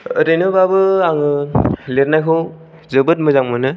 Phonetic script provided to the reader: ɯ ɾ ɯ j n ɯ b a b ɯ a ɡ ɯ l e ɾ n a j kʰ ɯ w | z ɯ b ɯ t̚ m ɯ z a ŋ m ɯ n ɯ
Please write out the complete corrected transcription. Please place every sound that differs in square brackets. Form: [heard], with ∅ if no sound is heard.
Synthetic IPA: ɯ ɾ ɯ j n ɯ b a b ɯ a [ŋ] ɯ l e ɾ n a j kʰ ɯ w | z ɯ b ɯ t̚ m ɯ z a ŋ m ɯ n ɯ